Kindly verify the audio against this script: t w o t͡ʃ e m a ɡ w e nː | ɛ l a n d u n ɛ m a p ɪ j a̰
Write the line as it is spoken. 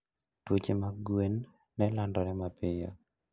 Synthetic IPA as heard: t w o t͡ʃ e m a ɡ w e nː | ɛ l a n d ɔ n ɛ m a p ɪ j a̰